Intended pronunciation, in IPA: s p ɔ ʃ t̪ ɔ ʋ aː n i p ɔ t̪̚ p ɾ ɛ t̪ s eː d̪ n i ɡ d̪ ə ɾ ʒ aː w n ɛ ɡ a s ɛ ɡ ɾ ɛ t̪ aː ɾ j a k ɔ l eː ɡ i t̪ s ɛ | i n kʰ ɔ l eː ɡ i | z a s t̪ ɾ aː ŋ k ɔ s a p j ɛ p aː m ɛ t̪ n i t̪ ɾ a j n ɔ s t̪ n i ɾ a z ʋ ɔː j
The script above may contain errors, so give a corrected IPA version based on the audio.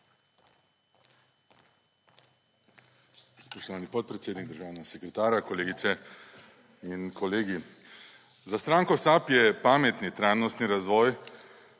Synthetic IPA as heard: s p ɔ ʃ t̪ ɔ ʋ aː n i p ɔ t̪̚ p ɾ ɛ t̪ s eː d̪ n i ɡ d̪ ə ɾ ʒ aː w n ɛ ɡ a s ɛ k ɾ ɛ t̪ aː ɾ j a k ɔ l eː ɡ i t̪ s ɛ | i n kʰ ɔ l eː ɡ i | z a s t̪ ɾ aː ŋ k ɔ s a p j ɛ p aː m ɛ t̪ n i t̪ ɾ a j n ɔ s t̪ n i ɾ a z ʋ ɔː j